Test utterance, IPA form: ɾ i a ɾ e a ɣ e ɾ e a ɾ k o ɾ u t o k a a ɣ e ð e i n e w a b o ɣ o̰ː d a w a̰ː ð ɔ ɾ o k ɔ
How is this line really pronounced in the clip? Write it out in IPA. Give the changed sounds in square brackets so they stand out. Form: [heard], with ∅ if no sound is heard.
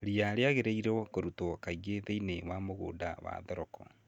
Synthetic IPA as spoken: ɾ i a ɾ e a ɣ e ɾ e [i] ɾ k o ɾ u t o k a [i] ɣ e ð e i n e w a [m] o ɣ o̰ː d a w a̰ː ð ɔ ɾ [ɔ] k ɔ